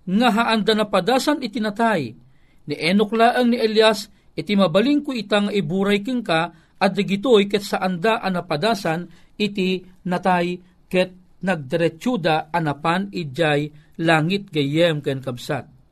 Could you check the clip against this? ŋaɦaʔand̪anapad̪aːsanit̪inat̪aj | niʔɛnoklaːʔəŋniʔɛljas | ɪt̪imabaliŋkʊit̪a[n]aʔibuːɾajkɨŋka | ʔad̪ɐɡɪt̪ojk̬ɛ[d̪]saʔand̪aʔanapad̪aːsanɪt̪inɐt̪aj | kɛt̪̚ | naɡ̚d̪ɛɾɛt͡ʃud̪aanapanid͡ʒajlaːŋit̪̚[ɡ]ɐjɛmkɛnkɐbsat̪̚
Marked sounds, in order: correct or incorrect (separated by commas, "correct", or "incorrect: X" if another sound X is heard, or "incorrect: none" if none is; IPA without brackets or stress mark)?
incorrect: ŋ, incorrect: t̪, correct